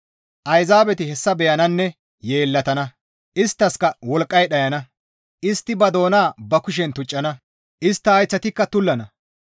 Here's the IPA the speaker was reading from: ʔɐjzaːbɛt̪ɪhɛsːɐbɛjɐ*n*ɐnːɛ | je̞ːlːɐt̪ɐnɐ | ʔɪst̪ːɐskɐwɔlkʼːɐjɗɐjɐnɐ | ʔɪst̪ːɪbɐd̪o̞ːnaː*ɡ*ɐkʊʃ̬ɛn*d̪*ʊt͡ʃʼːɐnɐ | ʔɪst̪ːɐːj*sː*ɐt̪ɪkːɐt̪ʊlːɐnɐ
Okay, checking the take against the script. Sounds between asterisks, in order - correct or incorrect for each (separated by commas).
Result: correct, incorrect, incorrect, incorrect